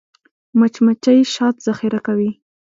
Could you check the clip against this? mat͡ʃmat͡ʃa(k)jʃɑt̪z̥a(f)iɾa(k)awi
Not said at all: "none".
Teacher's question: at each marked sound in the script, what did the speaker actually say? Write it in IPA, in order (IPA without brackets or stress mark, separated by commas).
none, x, k